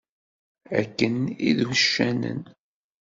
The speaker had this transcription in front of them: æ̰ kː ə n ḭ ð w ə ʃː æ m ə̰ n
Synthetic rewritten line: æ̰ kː ə n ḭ ð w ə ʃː æ n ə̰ n